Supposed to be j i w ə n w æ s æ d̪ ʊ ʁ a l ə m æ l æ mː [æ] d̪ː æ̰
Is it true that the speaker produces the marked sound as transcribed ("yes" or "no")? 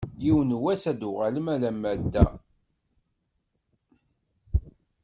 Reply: yes